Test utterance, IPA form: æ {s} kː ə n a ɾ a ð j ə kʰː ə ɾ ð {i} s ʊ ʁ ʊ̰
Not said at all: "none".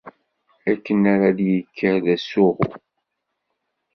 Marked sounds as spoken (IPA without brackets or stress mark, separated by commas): none, æ